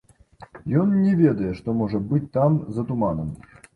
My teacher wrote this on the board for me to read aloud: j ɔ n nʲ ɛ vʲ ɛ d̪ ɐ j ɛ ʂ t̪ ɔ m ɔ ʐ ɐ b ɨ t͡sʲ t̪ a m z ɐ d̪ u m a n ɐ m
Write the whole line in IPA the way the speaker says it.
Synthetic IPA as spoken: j ɔ n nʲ ɛ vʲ ɛ d̪ ɐ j ɛ ʂ t̪ ɔ m ɔ ʐ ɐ b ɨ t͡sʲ t̪ a m z ɐ t̪ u m a n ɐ m